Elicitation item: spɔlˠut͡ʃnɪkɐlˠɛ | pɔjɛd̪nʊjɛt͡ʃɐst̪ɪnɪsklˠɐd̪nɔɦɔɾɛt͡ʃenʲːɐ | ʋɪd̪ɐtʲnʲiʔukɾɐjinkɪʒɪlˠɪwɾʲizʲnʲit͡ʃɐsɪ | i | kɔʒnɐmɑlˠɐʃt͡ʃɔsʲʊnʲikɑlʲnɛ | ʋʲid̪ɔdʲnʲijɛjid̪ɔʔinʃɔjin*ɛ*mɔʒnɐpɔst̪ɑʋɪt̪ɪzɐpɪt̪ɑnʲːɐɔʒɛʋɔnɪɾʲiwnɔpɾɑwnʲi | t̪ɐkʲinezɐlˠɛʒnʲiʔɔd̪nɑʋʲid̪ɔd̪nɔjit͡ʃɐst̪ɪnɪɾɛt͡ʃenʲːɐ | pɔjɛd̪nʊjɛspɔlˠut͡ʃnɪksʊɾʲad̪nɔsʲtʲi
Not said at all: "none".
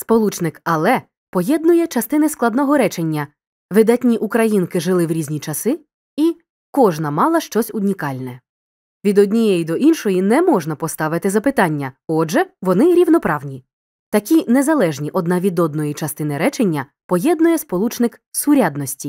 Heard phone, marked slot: ɛ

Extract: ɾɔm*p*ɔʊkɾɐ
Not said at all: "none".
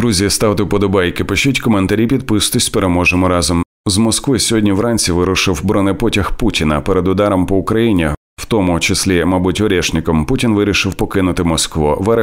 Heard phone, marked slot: p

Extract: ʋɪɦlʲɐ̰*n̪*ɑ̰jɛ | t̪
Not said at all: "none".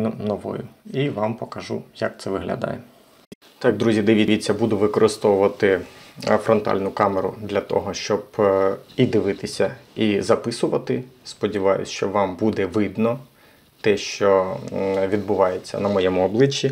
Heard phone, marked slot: d̪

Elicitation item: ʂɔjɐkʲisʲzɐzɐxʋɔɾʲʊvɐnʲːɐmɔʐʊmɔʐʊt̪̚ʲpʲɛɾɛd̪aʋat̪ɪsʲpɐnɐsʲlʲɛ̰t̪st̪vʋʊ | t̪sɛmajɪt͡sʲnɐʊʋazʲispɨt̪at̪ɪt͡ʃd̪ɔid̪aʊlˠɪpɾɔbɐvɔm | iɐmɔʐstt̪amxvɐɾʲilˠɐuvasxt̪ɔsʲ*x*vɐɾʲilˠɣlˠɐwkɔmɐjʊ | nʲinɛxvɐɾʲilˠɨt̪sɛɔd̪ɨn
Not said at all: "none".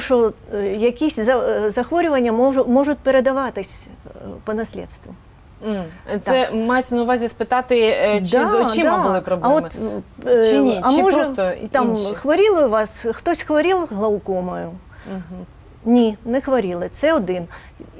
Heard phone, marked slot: x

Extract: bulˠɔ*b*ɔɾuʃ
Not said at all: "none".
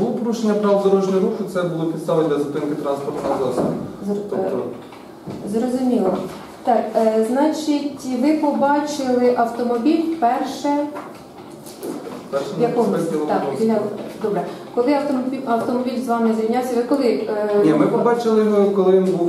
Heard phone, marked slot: p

